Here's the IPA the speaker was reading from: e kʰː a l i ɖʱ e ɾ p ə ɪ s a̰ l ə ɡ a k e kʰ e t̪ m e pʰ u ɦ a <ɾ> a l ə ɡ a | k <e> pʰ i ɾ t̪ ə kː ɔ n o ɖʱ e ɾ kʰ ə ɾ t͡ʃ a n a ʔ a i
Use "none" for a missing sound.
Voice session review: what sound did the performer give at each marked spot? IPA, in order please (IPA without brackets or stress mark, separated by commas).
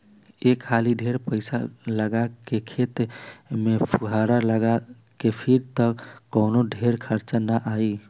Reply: ɾ, e